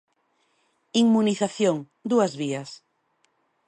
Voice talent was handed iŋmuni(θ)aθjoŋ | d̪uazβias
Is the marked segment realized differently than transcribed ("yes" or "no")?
no